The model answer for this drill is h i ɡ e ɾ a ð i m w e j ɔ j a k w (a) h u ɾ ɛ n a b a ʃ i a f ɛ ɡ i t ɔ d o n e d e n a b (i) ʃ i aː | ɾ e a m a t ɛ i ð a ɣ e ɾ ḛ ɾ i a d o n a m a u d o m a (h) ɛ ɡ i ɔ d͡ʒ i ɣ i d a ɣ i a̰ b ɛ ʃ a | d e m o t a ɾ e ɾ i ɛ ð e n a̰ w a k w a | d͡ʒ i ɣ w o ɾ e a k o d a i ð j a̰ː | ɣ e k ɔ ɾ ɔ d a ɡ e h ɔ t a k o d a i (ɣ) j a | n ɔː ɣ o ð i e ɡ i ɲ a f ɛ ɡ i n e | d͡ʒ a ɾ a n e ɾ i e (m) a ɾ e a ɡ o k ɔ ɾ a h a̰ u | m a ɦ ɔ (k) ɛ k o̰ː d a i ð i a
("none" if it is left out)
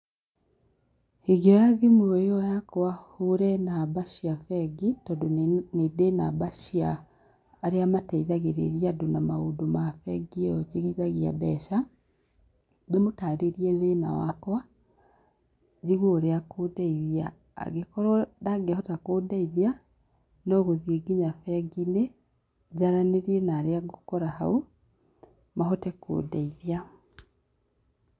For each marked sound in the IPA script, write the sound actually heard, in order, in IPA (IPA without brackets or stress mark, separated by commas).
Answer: a, a, f, ð, n, t